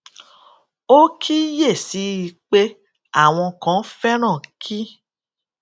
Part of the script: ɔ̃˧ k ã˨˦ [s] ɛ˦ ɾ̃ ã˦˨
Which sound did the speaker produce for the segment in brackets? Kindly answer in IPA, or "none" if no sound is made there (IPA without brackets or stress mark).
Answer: f